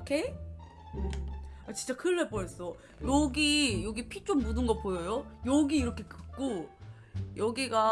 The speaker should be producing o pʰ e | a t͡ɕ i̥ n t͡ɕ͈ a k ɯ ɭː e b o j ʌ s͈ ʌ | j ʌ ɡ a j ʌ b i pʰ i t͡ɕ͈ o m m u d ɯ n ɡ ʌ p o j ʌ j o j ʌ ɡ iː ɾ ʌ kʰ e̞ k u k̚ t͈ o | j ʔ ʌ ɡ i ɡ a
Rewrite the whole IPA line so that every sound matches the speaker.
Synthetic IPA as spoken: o kʰ e | a t͡ɕ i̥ n t͡ɕ͈ a k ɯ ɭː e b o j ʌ s͈ ʌ | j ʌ ɡ i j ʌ ɡ i pʰ i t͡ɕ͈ o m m u d ɯ n ɡ ʌ p o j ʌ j o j ʌ ɡ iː ɾ ʌ kʰ e̞ k ɯ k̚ k͈ o | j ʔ ʌ ɡ i ɡ a